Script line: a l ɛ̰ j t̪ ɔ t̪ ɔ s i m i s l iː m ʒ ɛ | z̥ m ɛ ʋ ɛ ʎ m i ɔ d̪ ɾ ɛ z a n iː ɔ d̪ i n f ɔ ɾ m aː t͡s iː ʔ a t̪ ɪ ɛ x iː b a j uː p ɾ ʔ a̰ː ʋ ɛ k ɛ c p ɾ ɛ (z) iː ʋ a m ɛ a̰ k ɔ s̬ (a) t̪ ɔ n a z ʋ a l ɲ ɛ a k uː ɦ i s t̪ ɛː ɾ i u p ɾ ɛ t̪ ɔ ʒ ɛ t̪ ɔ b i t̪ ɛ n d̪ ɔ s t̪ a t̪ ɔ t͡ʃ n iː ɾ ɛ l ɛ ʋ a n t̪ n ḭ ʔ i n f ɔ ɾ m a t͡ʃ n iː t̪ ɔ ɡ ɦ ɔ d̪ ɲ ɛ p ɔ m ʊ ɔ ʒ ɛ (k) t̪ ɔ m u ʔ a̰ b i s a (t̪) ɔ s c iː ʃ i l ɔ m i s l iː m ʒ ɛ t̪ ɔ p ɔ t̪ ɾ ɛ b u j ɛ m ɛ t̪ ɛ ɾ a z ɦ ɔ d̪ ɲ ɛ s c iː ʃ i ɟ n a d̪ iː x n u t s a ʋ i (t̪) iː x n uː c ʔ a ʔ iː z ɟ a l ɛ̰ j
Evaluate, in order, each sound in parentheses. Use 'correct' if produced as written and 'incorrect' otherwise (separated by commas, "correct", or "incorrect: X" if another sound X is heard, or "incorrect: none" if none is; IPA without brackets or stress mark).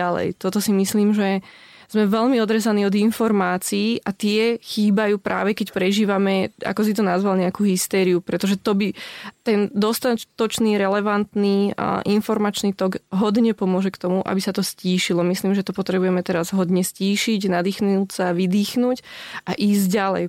incorrect: ʒ, incorrect: i, correct, correct, incorrect: d̪